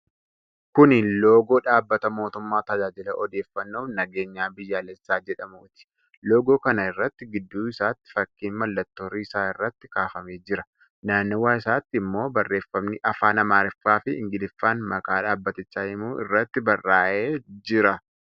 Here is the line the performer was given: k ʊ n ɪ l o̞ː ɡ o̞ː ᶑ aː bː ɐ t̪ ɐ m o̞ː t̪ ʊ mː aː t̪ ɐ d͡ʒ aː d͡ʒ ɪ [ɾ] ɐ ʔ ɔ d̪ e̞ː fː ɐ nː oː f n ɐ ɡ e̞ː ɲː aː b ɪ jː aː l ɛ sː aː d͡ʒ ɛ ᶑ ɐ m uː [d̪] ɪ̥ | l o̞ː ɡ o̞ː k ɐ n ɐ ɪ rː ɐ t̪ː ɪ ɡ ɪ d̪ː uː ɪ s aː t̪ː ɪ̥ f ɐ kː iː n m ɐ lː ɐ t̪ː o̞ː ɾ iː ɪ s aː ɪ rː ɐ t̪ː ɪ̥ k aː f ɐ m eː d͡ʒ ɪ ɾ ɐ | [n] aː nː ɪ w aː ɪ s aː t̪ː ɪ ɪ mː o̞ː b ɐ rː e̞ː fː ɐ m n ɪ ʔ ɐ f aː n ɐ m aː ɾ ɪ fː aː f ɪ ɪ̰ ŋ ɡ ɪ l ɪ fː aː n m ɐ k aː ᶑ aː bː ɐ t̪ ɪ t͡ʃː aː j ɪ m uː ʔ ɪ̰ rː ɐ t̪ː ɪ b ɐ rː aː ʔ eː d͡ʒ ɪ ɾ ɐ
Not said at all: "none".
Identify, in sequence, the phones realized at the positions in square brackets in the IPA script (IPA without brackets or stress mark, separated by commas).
l, t̪, n